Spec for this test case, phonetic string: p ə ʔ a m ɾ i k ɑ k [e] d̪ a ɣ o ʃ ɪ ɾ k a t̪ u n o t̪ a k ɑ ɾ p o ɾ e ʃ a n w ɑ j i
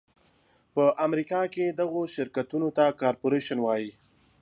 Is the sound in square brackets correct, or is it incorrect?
correct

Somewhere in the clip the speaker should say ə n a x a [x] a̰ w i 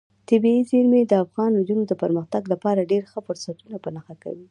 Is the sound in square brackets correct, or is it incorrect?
incorrect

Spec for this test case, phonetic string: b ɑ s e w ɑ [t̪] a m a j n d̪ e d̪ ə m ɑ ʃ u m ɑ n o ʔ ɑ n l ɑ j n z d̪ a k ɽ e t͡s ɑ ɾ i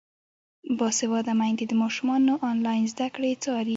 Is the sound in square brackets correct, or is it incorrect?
incorrect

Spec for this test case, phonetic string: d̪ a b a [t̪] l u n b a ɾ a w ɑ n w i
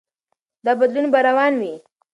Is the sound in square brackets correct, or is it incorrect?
incorrect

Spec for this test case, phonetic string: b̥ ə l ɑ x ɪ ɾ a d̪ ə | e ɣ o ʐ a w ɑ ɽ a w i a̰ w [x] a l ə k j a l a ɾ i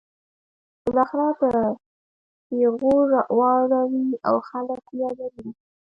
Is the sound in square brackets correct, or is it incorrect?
correct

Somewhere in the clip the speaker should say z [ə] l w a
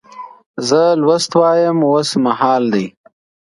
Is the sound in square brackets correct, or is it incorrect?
correct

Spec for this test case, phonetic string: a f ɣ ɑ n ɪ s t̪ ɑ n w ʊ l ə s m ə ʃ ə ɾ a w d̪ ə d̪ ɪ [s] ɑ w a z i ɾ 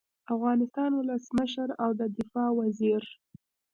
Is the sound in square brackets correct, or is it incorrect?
incorrect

